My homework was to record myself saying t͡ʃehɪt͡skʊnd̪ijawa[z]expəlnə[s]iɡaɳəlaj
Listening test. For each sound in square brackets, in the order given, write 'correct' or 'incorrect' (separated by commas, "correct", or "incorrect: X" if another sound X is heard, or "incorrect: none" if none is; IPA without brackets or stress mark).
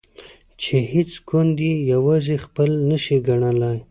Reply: correct, incorrect: ʃ